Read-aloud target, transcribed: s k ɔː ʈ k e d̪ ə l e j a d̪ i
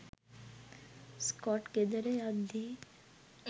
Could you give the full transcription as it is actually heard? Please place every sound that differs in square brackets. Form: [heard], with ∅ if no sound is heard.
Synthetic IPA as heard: s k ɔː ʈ k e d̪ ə [ɾ] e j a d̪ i

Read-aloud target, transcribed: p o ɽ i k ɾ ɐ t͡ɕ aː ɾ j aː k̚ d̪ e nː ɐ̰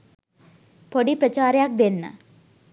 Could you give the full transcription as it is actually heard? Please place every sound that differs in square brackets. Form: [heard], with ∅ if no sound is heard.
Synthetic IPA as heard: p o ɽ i [p] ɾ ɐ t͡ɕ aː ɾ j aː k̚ d̪ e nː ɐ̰

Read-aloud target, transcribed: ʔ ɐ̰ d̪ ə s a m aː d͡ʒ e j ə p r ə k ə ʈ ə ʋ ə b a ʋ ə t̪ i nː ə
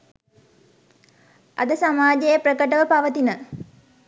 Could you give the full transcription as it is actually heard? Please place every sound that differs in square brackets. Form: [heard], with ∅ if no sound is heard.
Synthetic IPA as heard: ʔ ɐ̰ d̪ ə s a m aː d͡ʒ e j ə p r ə k ə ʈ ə ʋ ə [p] a ʋ ə t̪ i [n] ə

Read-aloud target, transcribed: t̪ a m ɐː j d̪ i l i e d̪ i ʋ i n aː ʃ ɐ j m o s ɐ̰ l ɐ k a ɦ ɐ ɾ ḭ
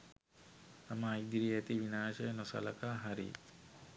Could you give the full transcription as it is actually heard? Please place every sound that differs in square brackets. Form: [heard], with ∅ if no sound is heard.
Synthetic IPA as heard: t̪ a m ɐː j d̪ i [ɾ] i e [t̪] i ʋ i n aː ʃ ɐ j [n] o s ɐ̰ l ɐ k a ɦ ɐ ɾ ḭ

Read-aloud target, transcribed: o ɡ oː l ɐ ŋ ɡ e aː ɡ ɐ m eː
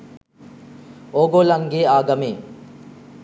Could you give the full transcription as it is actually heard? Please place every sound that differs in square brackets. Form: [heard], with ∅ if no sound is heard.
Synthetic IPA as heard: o ɡ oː l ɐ ŋ ɡ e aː ɡ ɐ m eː

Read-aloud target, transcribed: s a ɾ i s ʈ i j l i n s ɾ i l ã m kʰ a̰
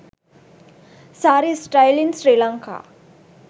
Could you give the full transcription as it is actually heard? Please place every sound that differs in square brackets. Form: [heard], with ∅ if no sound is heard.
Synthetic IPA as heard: s a ɾ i s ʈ [a] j l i n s ɾ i l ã [ŋ] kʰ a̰

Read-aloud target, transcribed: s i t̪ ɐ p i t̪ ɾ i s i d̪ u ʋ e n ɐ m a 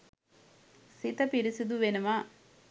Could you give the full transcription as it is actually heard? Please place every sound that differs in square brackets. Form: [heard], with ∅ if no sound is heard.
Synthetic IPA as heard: s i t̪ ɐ p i [∅] ɾ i s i d̪ u ʋ e n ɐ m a

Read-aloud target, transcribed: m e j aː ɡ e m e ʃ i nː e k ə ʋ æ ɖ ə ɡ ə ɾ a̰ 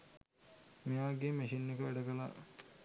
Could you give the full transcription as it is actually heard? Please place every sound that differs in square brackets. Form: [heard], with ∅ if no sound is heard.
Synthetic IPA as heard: m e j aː ɡ e m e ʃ i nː e k ə ʋ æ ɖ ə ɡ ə [l] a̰

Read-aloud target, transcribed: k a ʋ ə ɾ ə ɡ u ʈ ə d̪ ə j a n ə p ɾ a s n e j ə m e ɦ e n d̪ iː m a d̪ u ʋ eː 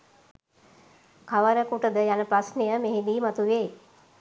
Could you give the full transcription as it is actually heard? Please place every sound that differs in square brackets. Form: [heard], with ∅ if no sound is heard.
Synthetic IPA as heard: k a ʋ ə ɾ ə [k] u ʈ ə d̪ ə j a n ə p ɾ a s n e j ə m e ɦ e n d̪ iː m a [t̪] u ʋ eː

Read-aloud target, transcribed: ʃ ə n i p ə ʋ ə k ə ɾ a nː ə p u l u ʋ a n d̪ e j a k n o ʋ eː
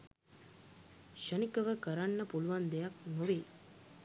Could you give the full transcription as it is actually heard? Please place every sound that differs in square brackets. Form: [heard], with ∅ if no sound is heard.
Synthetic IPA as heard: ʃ ə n i [k] ə ʋ ə k ə ɾ a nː ə p u l u ʋ a n d̪ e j a k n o ʋ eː

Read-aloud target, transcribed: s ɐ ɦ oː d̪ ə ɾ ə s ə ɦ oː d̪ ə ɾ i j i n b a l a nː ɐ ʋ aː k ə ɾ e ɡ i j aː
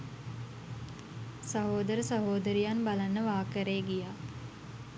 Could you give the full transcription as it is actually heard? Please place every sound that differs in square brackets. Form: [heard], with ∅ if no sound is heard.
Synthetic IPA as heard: s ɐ ɦ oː d̪ ə ɾ ə s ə ɦ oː d̪ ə ɾ i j [a] n b a l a nː [ə] ʋ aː k ə ɾ e ɡ i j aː

